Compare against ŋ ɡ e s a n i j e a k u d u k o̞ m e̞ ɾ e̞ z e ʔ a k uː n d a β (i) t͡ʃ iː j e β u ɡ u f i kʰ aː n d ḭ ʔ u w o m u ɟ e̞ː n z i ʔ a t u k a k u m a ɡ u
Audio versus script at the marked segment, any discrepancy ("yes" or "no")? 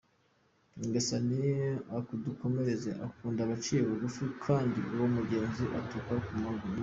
yes